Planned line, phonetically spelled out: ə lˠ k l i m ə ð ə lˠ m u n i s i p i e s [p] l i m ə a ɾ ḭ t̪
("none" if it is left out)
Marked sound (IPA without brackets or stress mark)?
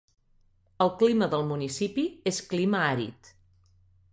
k